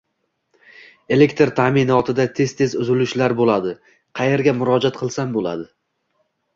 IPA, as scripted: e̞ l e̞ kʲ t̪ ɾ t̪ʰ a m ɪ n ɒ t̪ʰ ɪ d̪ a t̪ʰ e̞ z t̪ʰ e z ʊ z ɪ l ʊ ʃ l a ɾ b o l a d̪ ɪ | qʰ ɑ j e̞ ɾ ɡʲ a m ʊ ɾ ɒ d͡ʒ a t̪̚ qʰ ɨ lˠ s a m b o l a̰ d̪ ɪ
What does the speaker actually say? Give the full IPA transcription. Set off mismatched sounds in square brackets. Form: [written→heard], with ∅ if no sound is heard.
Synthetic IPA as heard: e̞ l e̞ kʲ t̪ ɾ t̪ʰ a m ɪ n ɒ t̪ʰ ɪ d̪ a t̪ʰ e̞ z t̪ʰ e z ʊ z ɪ l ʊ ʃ l a ɾ b o l a d̪ ɪ | qʰ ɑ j e̞ ɾ ɡʲ a m ʊ ɾ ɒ d͡ʒ a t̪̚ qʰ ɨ lˠ s a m b o l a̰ d̪ ɪ